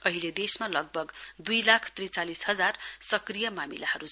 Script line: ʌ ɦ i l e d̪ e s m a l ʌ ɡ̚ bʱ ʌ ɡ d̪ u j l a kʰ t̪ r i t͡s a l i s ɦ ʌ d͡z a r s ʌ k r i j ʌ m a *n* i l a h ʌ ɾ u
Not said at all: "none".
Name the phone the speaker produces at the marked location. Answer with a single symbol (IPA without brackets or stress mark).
m